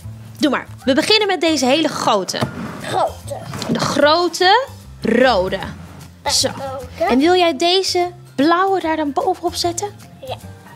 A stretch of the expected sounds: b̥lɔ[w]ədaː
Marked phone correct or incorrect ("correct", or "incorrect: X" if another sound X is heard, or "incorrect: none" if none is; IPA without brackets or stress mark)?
correct